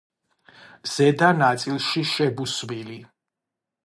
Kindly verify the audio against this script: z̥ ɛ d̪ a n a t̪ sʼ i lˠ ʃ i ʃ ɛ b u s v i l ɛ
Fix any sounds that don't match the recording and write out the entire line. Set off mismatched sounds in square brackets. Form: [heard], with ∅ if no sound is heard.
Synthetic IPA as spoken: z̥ ɛ d̪ a n a t̪ sʼ i lˠ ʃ i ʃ ɛ b u s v i l [i]